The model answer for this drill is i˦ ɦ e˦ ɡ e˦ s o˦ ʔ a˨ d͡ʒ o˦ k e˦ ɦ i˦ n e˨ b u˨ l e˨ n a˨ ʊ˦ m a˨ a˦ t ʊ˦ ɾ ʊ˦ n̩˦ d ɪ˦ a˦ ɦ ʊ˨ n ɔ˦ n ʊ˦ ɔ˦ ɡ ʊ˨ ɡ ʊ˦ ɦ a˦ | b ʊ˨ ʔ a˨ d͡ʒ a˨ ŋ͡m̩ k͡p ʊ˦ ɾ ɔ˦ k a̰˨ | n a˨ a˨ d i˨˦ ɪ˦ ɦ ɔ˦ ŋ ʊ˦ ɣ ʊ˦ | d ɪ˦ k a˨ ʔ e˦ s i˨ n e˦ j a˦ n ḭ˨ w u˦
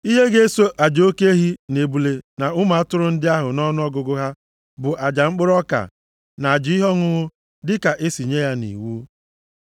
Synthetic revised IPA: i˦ ɦ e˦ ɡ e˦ s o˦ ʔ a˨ d͡ʒ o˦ k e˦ ɦ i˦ n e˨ b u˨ l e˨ n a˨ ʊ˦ m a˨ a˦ t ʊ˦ ɾ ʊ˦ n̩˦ d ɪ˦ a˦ ɦ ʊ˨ n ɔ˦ n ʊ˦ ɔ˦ ɡ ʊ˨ ɡ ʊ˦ ɦ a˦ | b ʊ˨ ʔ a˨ d͡ʒ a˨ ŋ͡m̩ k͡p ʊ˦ ɾ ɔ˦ k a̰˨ | n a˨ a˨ d͡ʒ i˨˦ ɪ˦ ɦ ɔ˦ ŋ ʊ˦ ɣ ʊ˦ | d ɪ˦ k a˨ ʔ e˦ s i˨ ɲ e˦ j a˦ n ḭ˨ w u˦

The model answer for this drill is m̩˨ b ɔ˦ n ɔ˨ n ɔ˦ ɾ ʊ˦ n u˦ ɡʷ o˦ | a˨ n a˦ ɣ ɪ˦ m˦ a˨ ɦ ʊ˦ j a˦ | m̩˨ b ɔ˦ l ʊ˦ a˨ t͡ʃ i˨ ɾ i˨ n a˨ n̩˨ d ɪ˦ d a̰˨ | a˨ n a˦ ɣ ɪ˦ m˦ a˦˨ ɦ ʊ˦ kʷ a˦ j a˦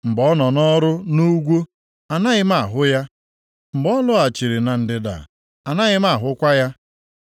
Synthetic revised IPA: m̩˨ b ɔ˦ n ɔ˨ n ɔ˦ ɾ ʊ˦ n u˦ ɡʷ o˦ | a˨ n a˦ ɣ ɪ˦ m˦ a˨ ɦ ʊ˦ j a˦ | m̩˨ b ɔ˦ l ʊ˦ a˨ t͡ʃ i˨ ɾ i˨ n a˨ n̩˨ d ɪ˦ d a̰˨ | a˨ n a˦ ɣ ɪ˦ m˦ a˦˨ ɦ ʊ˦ kʷ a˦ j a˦

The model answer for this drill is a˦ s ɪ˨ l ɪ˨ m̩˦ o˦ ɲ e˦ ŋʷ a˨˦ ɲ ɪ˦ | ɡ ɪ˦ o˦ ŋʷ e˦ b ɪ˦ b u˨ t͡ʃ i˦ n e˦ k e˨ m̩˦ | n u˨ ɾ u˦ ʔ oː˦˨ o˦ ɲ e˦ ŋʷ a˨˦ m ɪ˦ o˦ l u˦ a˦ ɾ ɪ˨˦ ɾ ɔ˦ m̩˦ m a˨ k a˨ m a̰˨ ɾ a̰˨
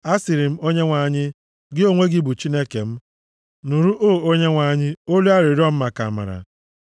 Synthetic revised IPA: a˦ s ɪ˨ ɾ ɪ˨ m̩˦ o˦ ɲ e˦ ŋʷ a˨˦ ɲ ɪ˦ | ɡ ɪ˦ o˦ ŋʷ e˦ ɡ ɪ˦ b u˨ t͡ʃ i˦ n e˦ k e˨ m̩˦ | n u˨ ɾ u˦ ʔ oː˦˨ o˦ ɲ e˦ ŋʷ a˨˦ ɲ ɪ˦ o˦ l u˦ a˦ ɾ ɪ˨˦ ɾ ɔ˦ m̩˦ m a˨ k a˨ m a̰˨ ɾ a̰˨

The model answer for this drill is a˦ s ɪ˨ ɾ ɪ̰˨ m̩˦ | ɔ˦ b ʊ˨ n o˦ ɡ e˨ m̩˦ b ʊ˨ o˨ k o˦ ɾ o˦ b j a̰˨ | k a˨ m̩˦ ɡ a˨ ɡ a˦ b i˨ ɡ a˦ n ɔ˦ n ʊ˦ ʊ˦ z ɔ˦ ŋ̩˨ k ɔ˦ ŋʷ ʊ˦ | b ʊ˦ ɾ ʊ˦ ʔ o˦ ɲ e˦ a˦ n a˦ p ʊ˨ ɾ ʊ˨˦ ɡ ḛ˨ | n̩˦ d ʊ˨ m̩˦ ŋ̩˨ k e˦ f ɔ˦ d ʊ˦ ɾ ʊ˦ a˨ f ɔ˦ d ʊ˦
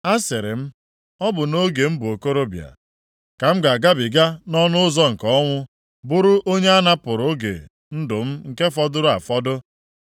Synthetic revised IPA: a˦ s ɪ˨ ɾ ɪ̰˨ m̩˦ | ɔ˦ b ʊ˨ n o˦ ɡ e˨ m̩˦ b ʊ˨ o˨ k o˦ ɾ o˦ b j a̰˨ | k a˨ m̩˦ ɡ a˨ ɡ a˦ b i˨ ɡ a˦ n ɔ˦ n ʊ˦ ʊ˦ z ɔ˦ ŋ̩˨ k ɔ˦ ŋʷ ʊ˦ | b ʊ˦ ɾ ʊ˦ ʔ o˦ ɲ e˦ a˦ n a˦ p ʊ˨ ɾ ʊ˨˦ ɡ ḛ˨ | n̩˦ d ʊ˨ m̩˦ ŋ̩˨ k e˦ f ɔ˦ d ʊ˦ ɾ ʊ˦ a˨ f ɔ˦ d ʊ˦

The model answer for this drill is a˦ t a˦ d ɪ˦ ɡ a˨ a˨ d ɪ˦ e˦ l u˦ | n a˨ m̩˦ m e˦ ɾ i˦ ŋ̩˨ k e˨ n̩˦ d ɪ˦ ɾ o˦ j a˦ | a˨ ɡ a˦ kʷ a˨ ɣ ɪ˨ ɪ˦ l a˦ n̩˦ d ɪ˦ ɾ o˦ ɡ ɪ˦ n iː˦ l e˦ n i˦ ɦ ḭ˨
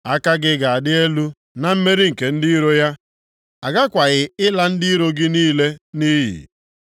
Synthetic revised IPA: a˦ k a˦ ɡ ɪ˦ ɡ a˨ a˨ d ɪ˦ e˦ l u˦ | n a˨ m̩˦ m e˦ ɾ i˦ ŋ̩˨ k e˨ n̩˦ d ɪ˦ ɾ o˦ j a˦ | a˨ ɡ a˦ kʷ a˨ ɣ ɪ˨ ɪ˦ l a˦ n̩˦ d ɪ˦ ɾ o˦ ɡ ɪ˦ n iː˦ l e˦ n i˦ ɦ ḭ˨

